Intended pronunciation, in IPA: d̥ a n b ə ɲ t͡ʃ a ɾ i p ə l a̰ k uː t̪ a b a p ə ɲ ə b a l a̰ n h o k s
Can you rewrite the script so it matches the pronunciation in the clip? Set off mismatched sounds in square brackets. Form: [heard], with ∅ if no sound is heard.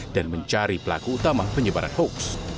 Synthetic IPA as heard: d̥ a n [m] ə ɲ t͡ʃ a ɾ i p ə l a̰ k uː t̪ a [m] a p ə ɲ ə b a [ɾ] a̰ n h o k s